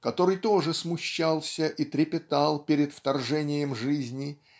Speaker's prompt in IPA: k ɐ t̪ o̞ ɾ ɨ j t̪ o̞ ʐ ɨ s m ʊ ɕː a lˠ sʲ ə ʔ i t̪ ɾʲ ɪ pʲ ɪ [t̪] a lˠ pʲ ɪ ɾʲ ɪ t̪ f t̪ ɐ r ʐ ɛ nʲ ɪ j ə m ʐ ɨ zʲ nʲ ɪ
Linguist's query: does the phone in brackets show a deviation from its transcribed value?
no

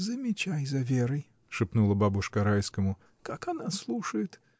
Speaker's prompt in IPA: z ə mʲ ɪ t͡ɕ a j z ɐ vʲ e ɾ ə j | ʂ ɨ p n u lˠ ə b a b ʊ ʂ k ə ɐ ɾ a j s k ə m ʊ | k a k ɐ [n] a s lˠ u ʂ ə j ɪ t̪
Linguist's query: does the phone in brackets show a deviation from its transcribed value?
no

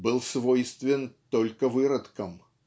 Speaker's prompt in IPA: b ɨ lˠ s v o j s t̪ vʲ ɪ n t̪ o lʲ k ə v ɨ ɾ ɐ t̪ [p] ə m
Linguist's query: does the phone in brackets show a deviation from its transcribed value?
yes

